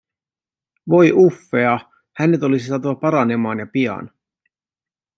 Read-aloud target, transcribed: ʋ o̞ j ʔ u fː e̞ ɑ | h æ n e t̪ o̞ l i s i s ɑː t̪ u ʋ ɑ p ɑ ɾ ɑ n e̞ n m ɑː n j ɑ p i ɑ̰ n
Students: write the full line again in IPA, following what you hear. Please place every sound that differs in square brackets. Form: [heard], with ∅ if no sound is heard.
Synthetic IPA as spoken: ʋ o̞ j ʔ u fː e̞ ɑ | h æ n e t̪ o̞ l i s i s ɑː t̪ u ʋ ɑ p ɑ ɾ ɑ n e̞ [∅] m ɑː n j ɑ p i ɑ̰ n

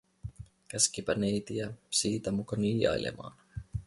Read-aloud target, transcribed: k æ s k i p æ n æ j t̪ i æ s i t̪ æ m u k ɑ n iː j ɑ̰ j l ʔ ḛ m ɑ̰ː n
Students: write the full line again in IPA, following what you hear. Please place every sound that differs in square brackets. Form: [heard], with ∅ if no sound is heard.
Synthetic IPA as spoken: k æ s k i p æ n [e] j t̪ i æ s [iː] t̪ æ m u k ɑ n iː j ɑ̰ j l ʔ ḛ m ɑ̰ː n

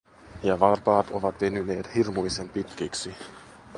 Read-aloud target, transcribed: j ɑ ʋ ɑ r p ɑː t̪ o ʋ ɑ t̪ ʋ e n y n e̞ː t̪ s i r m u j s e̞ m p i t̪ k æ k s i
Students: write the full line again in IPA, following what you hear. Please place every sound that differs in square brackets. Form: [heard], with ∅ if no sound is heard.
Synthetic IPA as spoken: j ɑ ʋ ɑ r p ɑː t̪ o ʋ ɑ t̪ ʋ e n y n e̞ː t̪ [h] i r m u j s e̞ m p i t̪ k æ k s i

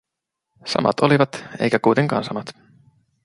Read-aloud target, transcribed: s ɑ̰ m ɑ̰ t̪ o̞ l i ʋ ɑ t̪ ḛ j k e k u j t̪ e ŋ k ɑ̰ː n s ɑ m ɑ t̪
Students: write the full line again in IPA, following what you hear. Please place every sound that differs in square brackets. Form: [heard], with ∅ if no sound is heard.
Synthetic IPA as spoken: s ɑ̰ m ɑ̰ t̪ o̞ l i ʋ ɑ t̪ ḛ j k [æ] k u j t̪ e ŋ k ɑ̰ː n s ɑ m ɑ t̪

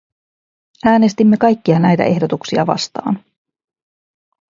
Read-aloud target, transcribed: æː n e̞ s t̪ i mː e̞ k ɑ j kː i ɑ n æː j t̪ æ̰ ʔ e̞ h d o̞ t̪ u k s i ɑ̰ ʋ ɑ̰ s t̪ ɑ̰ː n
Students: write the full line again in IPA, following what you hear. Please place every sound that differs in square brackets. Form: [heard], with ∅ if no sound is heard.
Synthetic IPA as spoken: æː n e̞ s t̪ i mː e̞ k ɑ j kː i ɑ n [æ] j t̪ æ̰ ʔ e̞ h d o̞ t̪ u k s i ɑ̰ ʋ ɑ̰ s t̪ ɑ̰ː n

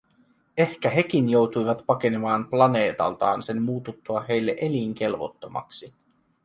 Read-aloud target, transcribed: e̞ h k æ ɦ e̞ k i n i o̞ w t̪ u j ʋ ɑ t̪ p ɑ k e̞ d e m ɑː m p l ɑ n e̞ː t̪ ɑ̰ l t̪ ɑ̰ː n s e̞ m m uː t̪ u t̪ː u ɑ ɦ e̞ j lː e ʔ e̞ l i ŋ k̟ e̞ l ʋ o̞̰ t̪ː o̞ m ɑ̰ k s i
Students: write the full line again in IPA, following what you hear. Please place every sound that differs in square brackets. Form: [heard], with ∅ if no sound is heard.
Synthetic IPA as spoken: e̞ h k æ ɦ e̞ k i n [j] o̞ w t̪ u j ʋ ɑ t̪ p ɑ k e̞ [n] e m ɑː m p l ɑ n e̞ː t̪ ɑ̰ l t̪ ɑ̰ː n s e̞ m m uː t̪ u t̪ː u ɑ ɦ e̞ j lː e ʔ e̞ l i ŋ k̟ e̞ l ʋ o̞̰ t̪ː o̞ m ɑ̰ k s i

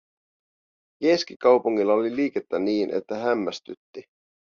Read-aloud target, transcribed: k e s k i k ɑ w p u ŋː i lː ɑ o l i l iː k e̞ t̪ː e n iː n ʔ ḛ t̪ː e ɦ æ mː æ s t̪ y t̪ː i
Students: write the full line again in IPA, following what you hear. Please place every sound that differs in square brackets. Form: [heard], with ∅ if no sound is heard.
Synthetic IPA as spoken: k e s k i k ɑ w p u ŋː i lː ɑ o l i l iː k e̞ t̪ː [æ] n iː n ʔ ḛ t̪ː [æ] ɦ æ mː æ s t̪ y t̪ː i

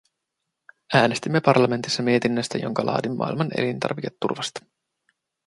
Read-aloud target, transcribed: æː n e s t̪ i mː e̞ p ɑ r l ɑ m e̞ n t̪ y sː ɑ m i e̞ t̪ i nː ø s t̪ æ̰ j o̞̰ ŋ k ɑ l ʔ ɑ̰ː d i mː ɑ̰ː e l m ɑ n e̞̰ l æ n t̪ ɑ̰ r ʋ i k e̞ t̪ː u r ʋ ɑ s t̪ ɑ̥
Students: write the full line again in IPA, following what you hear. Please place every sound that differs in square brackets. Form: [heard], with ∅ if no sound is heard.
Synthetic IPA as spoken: æː n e s t̪ i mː e̞ p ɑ r l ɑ m e̞ n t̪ [i] sː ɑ m i e̞ t̪ i nː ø s t̪ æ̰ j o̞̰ ŋ k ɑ l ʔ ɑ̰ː d i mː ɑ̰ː [i] l m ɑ n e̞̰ l [i] n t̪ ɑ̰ r ʋ i k e̞ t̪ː u r ʋ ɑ s t̪ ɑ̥

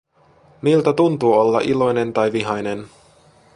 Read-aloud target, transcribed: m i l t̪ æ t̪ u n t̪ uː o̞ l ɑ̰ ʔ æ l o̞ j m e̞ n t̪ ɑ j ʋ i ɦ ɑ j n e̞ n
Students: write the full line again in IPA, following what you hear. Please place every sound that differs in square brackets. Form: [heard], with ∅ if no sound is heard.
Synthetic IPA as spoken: m i l t̪ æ t̪ u n t̪ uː o̞ [lː] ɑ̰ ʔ [i] l o̞ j [n] e̞ n t̪ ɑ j ʋ i ɦ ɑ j n e̞ n

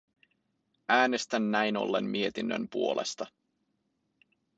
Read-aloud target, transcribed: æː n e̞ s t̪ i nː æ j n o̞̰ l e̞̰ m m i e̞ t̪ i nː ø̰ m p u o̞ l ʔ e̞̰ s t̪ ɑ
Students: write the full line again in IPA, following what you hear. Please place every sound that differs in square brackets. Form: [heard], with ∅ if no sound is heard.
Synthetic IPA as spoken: æː n e̞ s t̪ [æ] nː æ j n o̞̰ [lː] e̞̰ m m i e̞ t̪ i nː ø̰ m p u o̞ l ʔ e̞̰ s t̪ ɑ

